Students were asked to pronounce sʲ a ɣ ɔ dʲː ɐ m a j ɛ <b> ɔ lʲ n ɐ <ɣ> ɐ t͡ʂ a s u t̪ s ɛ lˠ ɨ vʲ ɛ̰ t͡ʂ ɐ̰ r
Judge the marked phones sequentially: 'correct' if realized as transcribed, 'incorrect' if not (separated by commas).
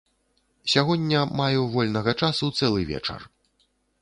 incorrect, correct